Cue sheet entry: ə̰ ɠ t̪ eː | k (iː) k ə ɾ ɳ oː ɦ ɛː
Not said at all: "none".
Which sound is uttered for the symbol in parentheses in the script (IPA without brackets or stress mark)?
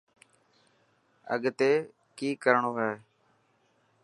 iː